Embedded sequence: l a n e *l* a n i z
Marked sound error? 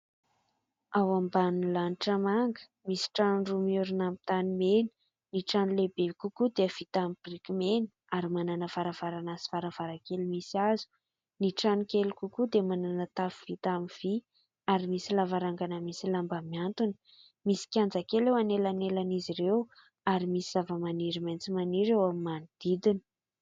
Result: no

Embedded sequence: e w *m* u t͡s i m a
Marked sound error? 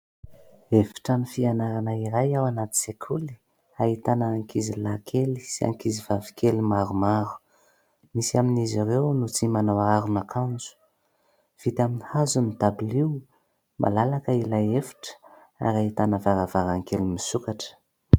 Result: yes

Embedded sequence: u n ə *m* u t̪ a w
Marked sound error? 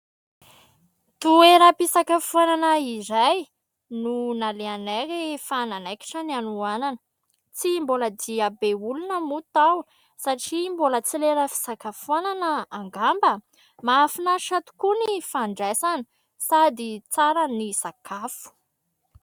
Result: no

